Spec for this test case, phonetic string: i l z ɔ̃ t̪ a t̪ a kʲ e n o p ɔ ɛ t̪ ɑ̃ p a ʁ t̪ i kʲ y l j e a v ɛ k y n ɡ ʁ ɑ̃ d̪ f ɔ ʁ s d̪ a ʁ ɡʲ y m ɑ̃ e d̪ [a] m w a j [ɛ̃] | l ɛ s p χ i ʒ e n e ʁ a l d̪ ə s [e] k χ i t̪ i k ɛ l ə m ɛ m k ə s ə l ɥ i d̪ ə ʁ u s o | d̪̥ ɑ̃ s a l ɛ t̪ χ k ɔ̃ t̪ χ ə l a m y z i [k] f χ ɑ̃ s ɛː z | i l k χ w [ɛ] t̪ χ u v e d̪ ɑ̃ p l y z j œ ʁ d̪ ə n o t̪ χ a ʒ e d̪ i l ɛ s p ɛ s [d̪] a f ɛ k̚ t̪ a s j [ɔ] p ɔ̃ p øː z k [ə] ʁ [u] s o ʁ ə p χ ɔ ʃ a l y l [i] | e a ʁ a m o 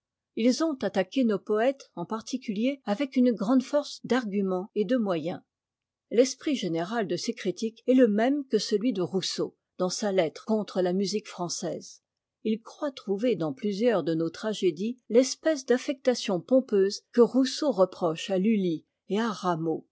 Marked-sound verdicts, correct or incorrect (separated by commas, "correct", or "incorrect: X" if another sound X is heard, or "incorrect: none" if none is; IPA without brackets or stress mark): incorrect: ə, correct, correct, correct, incorrect: a, correct, incorrect: ɔ̃, correct, correct, correct